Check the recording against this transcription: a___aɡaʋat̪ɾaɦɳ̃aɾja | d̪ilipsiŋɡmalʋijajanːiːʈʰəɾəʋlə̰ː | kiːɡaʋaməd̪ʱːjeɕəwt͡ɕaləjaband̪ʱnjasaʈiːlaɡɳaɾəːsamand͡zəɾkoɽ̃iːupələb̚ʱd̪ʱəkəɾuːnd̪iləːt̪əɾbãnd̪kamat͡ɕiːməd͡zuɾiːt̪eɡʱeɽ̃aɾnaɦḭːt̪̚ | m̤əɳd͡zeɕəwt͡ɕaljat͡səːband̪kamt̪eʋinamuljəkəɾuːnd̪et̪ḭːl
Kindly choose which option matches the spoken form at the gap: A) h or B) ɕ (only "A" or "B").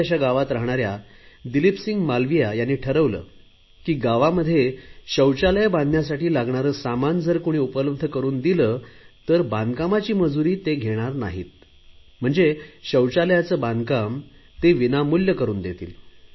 B